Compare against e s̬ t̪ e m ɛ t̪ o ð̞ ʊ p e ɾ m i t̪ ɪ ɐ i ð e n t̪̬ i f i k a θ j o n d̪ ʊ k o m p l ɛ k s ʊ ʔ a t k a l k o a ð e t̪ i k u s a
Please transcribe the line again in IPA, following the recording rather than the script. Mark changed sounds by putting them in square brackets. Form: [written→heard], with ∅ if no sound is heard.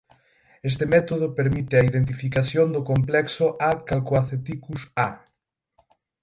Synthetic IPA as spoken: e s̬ t̪ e m ɛ t̪ o ð̞ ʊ p e ɾ m i t̪ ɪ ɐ i ð e n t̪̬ i f i k a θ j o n d̪ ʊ k o m p l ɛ k s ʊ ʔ a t k a l k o a [ð→θ] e t̪ i k u s a

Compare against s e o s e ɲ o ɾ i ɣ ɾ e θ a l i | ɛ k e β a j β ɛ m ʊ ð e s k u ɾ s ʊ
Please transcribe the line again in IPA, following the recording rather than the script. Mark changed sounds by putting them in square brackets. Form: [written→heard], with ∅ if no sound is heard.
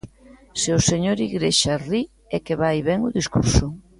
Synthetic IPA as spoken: s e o s e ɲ o ɾ i ɣ ɾ e [θ→ʃ] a [l→r] i | ɛ k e β a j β ɛ [m→ŋ] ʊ ð [e→i] s k u ɾ s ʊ

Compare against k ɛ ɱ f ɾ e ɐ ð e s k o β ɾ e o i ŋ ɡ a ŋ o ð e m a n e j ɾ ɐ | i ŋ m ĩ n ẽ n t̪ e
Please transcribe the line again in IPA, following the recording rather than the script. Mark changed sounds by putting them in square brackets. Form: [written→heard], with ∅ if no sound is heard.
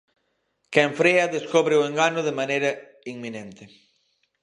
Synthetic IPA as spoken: k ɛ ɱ f ɾ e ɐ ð e s k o β ɾ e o [i→e] ŋ ɡ a [ŋ→n] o ð e m a n e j ɾ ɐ | i ŋ m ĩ n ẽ n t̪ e

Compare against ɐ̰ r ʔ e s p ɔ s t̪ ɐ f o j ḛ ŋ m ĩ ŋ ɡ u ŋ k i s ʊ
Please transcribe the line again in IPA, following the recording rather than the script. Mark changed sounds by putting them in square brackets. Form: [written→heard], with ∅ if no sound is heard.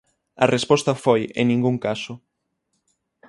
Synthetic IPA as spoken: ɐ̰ r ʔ e s p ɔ s t̪ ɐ f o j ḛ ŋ [m→n] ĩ ŋ ɡ u ŋ k [i→a] s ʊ

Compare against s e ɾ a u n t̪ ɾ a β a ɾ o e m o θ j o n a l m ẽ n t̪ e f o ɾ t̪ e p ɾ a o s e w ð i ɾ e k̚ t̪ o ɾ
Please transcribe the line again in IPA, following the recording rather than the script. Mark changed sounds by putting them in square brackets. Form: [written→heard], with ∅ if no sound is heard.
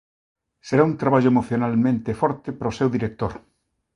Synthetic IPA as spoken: s e ɾ a u n t̪ ɾ a β a [ɾ→ʎ] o e m o θ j o n a l m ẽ n t̪ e f [o→ɔ] ɾ t̪ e p ɾ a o s e w ð i ɾ e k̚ t̪ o ɾ

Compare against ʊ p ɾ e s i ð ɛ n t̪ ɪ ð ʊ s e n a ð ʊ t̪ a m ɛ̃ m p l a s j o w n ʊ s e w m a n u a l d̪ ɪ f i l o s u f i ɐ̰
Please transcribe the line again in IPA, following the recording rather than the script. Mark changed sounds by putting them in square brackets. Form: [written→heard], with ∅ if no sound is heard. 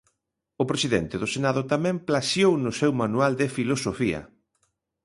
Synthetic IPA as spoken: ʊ p ɾ e s i ð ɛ n t̪ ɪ ð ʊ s e n a ð ʊ t̪ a m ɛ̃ m p l a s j o w n ʊ s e w m a n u a l d̪ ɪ f i l o s [u→o] f i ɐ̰

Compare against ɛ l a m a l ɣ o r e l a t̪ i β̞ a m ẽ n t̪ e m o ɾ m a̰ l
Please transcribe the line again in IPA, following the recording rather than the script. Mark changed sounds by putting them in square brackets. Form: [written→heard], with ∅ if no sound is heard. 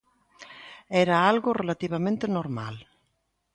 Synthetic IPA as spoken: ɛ [l→ɾ] a [m→∅] a l ɣ o r e l a t̪ i β̞ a m ẽ n t̪ e [m→n] o ɾ m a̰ l

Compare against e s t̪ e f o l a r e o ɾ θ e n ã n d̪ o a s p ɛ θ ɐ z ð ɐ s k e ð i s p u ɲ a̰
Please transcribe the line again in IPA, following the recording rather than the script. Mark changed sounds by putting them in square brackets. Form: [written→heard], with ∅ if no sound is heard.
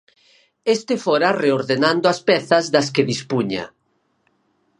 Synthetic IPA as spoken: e s t̪ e f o [l→ɾ] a r e o ɾ [θ→ð] e n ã n d̪ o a s p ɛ θ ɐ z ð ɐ s k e ð i s p u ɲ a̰

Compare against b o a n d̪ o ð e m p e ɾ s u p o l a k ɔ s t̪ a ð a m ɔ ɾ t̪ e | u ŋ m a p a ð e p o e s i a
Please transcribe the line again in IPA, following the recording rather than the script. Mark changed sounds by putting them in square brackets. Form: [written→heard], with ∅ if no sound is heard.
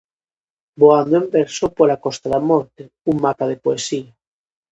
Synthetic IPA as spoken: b o a n d̪ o [ð→∅] e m [p→b] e ɾ s [u→o] p o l a k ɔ s t̪ a ð a m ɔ ɾ t̪ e | u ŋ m a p a ð e p o e s i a

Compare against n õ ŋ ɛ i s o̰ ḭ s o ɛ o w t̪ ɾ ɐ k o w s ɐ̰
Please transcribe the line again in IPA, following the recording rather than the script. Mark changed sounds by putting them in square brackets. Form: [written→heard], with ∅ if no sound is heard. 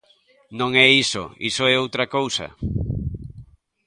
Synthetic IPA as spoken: n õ ŋ ɛ i s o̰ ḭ s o ɛ o w t̪ ɾ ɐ k o w s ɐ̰

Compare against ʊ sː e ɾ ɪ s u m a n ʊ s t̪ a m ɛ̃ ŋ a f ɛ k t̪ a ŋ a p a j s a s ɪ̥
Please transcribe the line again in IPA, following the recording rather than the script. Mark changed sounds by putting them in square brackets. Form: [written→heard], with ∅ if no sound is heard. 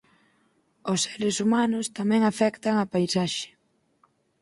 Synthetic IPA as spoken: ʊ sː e ɾ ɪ s u m a n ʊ s t̪ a m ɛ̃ ŋ a f ɛ k t̪ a ŋ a p a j s a [s→ʃ] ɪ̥

